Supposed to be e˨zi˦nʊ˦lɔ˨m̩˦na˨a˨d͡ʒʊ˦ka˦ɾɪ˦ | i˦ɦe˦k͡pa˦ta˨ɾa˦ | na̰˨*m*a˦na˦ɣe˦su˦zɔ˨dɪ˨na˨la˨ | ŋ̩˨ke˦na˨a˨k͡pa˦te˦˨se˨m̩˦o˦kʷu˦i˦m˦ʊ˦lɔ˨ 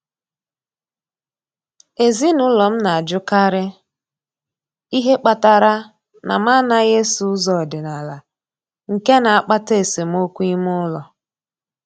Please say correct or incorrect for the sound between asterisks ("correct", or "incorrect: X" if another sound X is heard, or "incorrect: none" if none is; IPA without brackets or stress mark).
correct